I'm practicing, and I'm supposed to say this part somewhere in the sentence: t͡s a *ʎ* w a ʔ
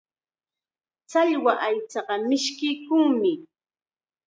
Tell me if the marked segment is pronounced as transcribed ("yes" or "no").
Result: yes